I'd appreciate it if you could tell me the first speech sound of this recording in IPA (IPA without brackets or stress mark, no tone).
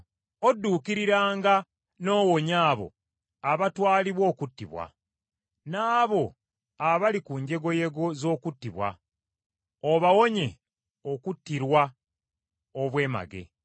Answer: o̞